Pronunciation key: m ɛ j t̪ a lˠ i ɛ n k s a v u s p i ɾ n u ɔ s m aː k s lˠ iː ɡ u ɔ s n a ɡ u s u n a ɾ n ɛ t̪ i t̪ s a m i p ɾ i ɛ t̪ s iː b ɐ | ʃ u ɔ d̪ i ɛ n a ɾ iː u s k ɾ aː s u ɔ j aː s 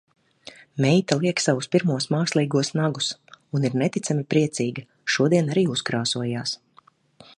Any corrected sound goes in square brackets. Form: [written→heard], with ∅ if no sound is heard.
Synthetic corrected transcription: m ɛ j t̪ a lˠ i ɛ [n→∅] k s a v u s p i ɾ [n→m] u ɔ s m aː k s lˠ iː ɡ u ɔ s n a ɡ u s u n [a→i] ɾ n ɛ t̪ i t̪ s a m i p ɾ i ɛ t̪ s iː [b→ɡ] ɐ | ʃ u ɔ d̪ i ɛ n a ɾ iː u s k ɾ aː s u ɔ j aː s